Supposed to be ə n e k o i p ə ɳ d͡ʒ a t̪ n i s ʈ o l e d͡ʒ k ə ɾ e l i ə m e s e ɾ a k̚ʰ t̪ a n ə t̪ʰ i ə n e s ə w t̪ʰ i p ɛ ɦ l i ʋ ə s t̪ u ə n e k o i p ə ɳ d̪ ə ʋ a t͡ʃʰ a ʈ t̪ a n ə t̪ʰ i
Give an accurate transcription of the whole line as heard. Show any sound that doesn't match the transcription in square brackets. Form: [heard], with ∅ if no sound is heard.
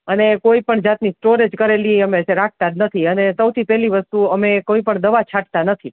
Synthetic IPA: ə n e k o i p ə ɳ d͡ʒ a t̪ n i s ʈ o [ɾ] e d͡ʒ k ə ɾ e l i ə m e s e ɾ a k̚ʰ t̪ a n ə t̪ʰ i ə n e s ə w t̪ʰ i p ɛ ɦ l i ʋ ə s t̪ u ə [m] e k o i p ə ɳ d̪ ə ʋ a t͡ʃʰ a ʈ t̪ a n ə t̪ʰ i